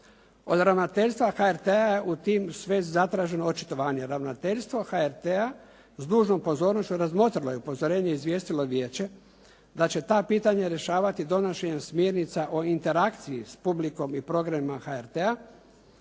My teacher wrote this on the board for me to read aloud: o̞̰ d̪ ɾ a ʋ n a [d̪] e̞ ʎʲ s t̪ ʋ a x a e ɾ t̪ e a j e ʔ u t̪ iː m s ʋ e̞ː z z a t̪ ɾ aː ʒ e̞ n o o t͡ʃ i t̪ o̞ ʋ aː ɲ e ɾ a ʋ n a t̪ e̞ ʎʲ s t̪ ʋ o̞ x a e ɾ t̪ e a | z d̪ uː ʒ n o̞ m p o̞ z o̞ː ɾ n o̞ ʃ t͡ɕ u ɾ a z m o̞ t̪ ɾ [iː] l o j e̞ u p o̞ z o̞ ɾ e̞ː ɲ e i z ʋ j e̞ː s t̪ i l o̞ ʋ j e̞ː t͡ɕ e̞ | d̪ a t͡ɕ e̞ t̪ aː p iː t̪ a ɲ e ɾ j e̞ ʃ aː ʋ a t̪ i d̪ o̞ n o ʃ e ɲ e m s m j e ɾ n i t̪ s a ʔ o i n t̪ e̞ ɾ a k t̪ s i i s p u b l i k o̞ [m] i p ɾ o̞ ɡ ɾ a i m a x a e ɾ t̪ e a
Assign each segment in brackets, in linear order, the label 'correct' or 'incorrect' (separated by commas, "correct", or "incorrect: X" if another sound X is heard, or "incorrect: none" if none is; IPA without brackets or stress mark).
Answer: incorrect: t̪, incorrect: i, correct